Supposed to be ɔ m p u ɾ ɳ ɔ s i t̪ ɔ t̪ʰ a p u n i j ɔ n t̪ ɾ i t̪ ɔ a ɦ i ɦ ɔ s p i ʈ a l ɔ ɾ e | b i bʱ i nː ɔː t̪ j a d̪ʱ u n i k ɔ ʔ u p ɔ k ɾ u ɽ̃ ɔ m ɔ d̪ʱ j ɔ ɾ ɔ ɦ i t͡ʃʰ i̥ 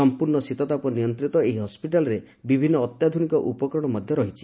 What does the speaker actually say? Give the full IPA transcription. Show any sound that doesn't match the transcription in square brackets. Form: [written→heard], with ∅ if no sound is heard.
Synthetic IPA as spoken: ɔ m p u ɾ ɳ ɔ s i t̪ ɔ [t̪ʰ→t̪] a p [u→ɔ] n i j ɔ n t̪ ɾ i t̪ ɔ [a→e] ɦ i ɦ ɔ s p i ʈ a l ɔ ɾ e | b i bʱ i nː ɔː t̪ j a d̪ʱ u n i k ɔ ʔ u p ɔ k ɾ [u→ɔ] ɽ̃ ɔ m ɔ d̪ʱ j ɔ ɾ ɔ ɦ i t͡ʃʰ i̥